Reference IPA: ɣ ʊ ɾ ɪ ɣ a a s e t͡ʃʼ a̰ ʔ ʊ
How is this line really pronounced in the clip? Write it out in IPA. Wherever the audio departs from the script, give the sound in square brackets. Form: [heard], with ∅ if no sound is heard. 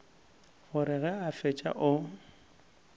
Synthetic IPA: ɣ ʊ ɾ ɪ ɣ [ɛ] a [f] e t͡ʃʼ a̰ ʔ ʊ